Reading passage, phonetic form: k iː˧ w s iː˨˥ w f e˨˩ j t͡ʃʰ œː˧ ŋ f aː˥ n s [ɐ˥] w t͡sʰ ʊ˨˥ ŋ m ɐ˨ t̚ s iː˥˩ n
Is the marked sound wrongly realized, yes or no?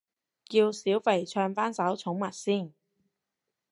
yes